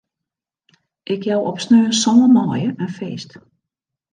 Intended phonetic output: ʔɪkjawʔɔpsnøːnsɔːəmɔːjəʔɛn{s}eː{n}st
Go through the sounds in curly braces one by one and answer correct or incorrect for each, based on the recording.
incorrect: f, incorrect: none

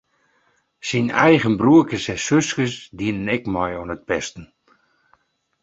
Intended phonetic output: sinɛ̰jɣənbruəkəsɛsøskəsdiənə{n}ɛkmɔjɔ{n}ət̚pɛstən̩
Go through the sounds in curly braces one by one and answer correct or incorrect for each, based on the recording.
correct, correct

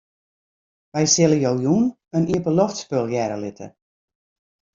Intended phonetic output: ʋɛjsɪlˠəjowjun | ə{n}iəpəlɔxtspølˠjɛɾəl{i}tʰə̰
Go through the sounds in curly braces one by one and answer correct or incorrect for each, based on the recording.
correct, incorrect: ɪ

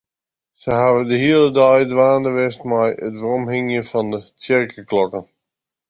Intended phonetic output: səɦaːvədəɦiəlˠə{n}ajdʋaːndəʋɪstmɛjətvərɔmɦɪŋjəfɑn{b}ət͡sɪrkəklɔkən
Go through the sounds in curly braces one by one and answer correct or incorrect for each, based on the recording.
incorrect: d, incorrect: d

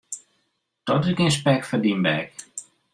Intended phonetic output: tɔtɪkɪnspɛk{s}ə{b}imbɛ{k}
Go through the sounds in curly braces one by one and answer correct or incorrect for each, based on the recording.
incorrect: f, incorrect: d, correct

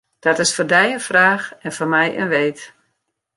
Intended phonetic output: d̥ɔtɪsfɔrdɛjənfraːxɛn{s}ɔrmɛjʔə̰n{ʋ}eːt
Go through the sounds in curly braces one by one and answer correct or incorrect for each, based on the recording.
incorrect: f, correct

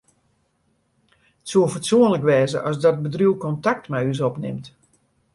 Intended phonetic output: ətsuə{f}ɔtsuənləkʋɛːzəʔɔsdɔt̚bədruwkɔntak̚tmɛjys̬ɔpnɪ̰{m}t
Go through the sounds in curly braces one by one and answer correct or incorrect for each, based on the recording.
correct, correct

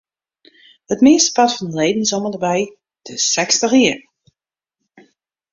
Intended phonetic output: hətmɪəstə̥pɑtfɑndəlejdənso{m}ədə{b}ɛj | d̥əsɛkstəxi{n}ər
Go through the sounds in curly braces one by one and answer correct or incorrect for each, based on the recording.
correct, correct, incorrect: none

